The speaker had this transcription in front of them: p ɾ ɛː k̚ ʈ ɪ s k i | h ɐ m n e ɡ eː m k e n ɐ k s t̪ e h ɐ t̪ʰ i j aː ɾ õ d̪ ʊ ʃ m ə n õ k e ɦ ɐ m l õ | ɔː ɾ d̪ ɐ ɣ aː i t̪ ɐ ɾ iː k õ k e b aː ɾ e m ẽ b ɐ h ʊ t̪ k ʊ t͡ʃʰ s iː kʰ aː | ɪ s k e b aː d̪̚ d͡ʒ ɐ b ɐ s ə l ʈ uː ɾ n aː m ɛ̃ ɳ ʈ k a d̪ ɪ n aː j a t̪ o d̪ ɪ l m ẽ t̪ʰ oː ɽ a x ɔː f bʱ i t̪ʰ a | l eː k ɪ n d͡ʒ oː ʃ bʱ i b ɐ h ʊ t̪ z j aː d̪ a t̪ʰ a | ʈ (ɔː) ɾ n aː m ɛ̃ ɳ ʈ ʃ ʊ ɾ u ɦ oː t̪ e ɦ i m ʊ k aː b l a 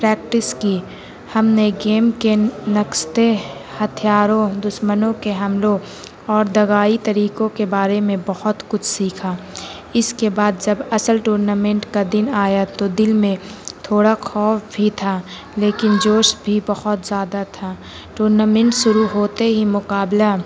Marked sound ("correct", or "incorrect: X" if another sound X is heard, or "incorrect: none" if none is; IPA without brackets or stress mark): incorrect: uː